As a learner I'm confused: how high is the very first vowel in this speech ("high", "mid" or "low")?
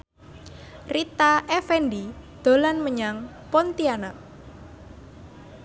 high